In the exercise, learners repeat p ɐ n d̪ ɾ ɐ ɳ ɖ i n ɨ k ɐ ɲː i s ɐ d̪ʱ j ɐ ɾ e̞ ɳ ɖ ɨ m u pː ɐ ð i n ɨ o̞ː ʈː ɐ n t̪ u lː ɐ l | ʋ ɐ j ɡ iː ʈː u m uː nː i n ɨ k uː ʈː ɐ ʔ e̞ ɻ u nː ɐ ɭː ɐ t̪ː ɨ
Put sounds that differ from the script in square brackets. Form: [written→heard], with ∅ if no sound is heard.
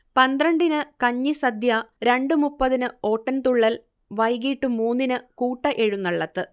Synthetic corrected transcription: p ɐ n d̪ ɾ ɐ ɳ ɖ i n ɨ k ɐ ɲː i s ɐ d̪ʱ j ɐ ɾ e̞ ɳ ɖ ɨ m u pː ɐ ð i n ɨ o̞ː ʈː ɐ n t̪ u [lː→ɭː] ɐ l | ʋ ɐ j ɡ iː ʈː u m uː nː i n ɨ k uː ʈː ɐ ʔ e̞ ɻ u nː ɐ ɭː ɐ t̪ː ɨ